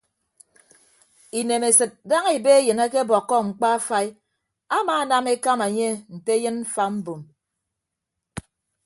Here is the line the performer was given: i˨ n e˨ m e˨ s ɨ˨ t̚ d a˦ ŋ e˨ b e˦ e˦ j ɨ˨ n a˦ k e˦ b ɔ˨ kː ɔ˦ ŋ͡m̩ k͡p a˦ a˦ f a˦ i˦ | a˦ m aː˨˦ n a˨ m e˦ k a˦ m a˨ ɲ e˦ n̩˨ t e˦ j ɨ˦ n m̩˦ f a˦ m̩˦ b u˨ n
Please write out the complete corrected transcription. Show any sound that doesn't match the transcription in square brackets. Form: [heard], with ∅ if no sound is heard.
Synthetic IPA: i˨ n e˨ m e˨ s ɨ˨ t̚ d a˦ ŋ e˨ b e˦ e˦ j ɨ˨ n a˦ k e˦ b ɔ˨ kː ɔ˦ ŋ͡m̩ k͡p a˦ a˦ f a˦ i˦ | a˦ m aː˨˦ n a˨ m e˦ k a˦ m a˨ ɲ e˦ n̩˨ t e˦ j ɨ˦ n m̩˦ f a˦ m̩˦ b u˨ [m]